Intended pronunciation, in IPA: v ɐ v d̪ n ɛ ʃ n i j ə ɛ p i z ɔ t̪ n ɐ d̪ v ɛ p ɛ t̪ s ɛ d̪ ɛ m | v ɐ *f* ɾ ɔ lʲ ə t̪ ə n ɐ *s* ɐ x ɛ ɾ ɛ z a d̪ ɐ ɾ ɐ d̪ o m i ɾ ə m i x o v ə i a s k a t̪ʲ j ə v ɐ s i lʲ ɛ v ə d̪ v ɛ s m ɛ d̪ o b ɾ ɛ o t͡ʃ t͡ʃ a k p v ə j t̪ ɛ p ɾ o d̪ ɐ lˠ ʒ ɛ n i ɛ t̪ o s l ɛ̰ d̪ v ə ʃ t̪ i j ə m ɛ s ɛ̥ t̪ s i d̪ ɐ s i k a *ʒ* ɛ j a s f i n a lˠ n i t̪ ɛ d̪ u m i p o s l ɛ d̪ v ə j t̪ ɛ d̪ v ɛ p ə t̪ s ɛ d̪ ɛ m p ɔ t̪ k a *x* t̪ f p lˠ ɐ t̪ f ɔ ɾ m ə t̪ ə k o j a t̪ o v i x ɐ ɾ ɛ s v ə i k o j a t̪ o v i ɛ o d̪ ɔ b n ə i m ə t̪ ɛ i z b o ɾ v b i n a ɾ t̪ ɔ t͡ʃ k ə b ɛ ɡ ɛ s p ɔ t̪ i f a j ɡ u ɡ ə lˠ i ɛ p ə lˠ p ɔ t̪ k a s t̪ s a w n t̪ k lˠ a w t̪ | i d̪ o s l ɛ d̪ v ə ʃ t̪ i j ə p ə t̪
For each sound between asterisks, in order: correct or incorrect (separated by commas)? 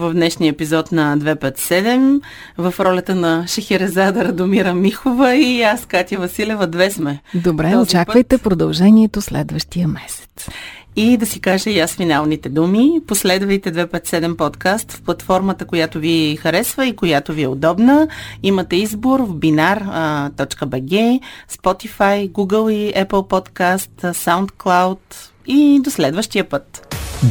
correct, incorrect, correct, incorrect